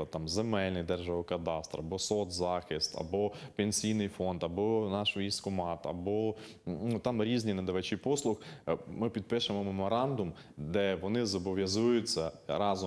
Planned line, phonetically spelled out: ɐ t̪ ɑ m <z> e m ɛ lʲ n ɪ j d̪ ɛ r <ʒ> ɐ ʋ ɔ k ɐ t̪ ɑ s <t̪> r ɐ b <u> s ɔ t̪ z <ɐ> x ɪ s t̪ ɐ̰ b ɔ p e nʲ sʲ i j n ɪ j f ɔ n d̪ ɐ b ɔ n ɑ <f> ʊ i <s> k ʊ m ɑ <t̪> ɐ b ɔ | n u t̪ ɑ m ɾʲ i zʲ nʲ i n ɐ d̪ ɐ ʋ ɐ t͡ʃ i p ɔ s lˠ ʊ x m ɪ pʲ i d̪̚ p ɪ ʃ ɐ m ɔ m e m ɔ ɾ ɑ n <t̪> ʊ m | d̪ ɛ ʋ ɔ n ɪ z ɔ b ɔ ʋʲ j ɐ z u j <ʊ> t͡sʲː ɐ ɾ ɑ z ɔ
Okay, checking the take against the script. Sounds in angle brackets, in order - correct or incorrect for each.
correct, correct, correct, incorrect: ɔ, incorrect: ɑ, incorrect: ʃ, correct, correct, incorrect: d̪, correct

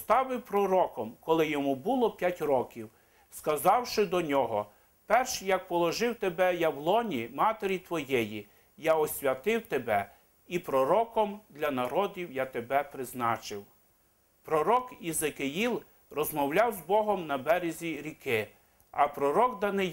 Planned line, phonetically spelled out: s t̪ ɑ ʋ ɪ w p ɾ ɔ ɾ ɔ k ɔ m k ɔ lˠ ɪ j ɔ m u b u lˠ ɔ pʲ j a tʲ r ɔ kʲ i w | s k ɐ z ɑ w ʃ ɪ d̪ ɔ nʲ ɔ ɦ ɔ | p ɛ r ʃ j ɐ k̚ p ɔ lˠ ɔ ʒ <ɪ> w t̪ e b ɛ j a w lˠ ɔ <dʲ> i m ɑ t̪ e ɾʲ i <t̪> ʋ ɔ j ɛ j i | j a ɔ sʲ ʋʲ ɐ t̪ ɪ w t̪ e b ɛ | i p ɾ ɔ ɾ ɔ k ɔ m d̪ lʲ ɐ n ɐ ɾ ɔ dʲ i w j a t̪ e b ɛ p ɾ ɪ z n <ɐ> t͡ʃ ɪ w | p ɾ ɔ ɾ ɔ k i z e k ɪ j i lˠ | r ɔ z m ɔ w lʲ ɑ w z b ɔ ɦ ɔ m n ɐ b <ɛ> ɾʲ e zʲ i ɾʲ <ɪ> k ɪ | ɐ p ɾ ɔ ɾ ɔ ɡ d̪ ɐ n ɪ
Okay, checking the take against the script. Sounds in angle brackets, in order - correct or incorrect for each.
correct, incorrect: nʲ, correct, incorrect: ɑ, correct, incorrect: i

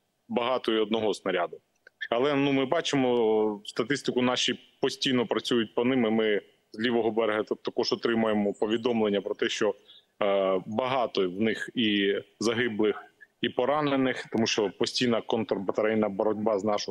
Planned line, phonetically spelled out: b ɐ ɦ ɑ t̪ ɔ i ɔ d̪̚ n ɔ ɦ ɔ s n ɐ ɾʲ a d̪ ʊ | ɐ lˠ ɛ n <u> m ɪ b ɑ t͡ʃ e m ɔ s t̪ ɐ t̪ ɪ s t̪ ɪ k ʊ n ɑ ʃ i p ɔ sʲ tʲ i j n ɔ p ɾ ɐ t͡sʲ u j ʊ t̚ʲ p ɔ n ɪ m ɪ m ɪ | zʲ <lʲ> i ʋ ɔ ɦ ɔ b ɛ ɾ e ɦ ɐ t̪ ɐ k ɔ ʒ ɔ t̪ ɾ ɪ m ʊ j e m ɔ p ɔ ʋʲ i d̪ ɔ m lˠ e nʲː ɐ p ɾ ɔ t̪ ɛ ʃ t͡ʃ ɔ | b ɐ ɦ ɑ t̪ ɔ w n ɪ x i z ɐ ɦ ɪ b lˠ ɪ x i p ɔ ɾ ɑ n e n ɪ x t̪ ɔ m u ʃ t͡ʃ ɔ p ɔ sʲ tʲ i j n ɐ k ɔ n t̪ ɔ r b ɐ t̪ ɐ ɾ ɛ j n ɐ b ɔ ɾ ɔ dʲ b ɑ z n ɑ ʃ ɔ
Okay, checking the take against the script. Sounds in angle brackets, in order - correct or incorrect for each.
correct, correct

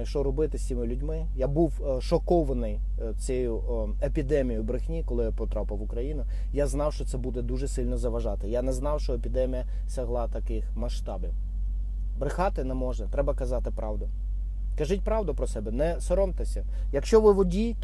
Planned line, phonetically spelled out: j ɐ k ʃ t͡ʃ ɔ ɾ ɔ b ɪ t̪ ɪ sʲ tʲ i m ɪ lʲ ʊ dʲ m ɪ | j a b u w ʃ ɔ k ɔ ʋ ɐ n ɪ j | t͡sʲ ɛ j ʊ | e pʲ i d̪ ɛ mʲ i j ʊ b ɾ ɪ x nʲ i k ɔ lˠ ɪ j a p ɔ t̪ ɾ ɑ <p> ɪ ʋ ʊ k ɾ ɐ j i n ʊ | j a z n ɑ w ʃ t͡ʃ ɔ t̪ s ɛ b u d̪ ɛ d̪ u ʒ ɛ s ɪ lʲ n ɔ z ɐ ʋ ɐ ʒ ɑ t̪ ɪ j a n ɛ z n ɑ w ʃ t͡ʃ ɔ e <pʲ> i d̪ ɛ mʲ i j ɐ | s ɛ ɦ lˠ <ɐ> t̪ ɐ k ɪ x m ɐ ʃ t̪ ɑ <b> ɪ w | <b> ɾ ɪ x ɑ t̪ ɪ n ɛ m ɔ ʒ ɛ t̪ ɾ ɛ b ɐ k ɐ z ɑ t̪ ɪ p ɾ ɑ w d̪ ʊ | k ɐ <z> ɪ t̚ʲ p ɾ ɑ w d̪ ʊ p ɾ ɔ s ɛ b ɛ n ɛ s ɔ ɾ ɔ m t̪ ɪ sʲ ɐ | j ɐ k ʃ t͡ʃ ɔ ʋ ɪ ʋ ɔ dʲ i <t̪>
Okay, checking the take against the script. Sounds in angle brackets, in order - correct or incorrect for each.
correct, correct, incorrect: ɑ, correct, correct, incorrect: ʒ, correct

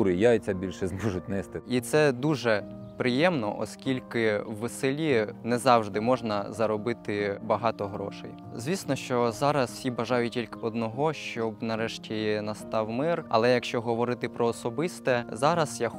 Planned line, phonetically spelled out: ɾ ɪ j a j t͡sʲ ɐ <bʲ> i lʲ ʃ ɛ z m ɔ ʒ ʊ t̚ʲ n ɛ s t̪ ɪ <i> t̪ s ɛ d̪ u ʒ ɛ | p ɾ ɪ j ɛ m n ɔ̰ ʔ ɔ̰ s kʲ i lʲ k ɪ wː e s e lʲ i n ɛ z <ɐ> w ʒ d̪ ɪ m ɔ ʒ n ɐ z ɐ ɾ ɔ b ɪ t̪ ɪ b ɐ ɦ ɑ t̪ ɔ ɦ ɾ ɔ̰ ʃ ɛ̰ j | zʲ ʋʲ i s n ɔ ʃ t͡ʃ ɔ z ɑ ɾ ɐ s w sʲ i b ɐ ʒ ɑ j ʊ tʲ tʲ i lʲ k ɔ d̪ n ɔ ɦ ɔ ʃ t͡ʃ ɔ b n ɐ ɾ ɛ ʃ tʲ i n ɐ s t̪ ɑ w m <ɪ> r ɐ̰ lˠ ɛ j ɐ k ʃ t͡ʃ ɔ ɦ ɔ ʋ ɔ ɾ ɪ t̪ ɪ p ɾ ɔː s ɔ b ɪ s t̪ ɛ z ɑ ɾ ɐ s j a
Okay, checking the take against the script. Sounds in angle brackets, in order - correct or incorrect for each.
correct, correct, incorrect: ɑ, correct

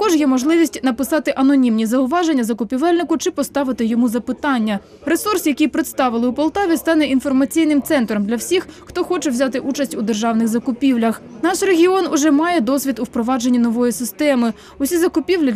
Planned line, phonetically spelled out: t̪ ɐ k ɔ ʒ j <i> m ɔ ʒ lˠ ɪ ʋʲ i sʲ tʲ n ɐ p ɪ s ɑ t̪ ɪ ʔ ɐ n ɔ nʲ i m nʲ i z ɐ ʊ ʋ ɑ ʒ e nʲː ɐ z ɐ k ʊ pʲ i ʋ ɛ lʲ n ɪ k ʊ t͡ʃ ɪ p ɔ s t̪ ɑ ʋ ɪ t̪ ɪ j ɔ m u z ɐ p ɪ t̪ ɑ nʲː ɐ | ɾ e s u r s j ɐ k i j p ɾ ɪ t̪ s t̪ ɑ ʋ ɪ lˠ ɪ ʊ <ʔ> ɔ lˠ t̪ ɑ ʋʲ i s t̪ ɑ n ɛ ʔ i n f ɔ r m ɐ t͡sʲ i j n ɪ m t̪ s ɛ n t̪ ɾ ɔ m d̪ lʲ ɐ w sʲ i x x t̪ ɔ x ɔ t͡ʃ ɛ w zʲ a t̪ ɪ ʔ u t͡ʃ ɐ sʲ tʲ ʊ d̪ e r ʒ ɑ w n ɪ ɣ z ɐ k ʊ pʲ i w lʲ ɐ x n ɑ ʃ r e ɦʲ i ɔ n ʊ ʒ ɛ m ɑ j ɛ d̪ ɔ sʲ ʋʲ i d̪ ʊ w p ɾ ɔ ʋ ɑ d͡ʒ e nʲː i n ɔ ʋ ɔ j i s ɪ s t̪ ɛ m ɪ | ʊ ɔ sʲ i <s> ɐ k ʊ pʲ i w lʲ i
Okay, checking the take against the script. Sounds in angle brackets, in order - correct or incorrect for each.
incorrect: ɛ, incorrect: p, incorrect: z

